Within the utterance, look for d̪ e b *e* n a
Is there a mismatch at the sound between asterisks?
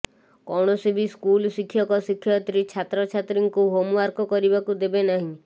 no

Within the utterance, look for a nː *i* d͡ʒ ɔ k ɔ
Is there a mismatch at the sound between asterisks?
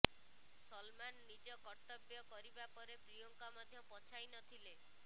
no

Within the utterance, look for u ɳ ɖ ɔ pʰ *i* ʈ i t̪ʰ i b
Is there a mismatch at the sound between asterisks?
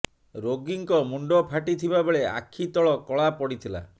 yes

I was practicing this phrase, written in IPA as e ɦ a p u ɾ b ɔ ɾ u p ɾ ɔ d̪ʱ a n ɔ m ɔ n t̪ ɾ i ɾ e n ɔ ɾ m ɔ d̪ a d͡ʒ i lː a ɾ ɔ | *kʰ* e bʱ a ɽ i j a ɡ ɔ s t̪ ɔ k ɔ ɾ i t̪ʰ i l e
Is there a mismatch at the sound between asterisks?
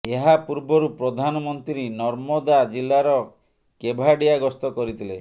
yes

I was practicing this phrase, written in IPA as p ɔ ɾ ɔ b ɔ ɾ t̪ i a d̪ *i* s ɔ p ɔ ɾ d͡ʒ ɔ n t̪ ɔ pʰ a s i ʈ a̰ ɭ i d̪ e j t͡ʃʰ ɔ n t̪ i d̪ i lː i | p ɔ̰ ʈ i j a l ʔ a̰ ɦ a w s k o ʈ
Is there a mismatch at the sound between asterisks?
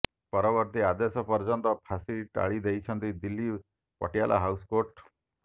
yes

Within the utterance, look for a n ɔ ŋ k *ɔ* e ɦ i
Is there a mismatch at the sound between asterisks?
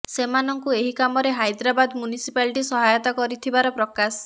yes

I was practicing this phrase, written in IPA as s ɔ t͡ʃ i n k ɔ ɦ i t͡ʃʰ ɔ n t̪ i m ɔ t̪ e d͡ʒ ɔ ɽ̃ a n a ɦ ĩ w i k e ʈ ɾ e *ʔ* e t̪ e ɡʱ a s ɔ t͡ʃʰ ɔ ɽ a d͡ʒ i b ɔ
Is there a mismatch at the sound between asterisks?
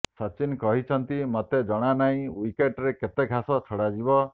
yes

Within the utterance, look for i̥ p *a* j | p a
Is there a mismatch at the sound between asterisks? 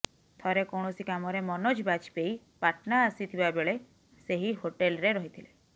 yes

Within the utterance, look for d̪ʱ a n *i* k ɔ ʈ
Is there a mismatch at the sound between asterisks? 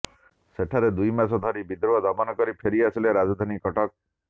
no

